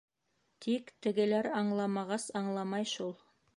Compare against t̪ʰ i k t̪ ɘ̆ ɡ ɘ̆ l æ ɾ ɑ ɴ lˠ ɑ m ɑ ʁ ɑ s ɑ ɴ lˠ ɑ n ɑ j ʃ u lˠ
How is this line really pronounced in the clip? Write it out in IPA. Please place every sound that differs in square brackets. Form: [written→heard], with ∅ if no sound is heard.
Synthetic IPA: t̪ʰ i k t̪ ɘ̆ ɡ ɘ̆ l æ ɾ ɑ ɴ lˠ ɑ m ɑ ʁ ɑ s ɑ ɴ lˠ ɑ [n→m] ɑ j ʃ u lˠ